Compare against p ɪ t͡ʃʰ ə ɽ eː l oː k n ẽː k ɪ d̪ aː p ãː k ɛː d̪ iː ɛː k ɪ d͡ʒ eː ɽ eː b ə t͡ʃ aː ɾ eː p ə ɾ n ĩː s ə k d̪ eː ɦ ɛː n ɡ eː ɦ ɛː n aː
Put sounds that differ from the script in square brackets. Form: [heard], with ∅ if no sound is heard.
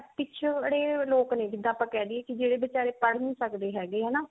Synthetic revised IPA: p ɪ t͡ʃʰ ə ɽ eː l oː k n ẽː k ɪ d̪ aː p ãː k ɛː d̪ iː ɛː k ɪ d͡ʒ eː ɽ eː b ə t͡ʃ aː ɾ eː p ə [ɽ] n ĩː s ə k d̪ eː ɦ ɛː [∅] ɡ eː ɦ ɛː n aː